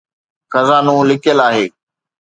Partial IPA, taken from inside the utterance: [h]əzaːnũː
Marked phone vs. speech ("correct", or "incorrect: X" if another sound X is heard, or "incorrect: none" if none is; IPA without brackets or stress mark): incorrect: x